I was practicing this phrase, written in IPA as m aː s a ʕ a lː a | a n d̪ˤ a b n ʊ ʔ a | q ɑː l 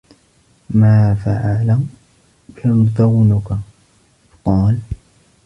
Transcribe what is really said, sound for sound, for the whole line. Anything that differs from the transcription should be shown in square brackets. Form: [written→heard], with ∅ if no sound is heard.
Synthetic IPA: m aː [s→f] a ʕ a [lː→l] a | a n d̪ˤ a [b→w] n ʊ [ʔ→k] a | q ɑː l